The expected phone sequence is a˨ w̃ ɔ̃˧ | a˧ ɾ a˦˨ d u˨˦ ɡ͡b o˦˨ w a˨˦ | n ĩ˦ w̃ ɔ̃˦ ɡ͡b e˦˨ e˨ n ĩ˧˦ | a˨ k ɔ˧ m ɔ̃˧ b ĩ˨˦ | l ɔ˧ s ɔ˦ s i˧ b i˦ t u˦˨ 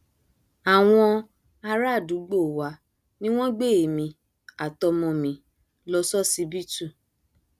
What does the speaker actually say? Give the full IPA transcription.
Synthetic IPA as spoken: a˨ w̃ ɔ̃˧ | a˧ ɾ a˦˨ d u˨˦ ɡ͡b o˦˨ w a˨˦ | n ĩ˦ w̃ ɔ̃˦ ɡ͡b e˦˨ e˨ m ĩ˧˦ | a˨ t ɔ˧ m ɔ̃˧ m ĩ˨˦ | l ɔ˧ s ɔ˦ s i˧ b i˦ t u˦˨